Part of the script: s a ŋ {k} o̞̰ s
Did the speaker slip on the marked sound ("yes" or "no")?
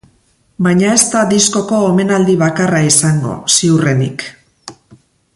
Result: yes